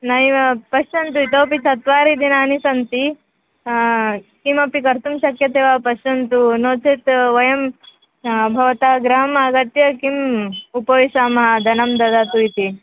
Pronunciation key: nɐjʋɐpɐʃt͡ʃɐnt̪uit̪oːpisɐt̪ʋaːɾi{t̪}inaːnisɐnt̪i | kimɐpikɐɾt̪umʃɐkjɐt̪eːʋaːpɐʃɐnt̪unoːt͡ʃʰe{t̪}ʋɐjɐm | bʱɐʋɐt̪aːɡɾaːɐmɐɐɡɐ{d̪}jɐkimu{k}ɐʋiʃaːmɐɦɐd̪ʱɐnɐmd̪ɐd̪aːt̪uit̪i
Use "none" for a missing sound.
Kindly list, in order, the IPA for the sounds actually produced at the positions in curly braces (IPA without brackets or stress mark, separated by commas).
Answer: d̪, t̪, t̪, p